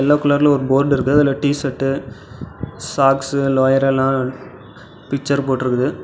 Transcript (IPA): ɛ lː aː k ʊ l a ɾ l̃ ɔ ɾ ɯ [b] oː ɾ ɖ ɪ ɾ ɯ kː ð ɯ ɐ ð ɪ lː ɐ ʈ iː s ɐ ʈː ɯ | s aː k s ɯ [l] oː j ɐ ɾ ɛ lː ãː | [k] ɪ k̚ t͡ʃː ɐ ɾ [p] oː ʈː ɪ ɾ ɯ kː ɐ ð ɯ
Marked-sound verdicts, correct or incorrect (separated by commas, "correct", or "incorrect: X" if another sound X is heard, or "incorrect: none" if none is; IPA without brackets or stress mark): correct, correct, incorrect: p, correct